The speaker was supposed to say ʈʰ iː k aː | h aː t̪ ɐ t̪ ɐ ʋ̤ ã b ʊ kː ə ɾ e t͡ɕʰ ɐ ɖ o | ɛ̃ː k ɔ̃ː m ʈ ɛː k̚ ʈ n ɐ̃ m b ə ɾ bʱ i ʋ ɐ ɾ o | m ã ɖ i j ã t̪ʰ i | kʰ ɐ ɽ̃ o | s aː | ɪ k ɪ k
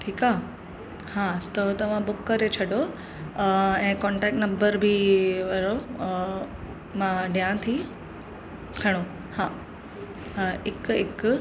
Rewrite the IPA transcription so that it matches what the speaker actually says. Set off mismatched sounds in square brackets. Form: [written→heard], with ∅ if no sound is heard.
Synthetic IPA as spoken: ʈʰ iː k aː | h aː t̪ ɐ t̪ ɐ ʋ̤ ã b ʊ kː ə ɾ e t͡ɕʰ ɐ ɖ o | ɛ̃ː k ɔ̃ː [m→ɳ] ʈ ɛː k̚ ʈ n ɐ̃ m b ə ɾ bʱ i ʋ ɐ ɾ o | m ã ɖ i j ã t̪ʰ i | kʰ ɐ ɽ̃ o | [s→h] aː | ɪ k ɪ k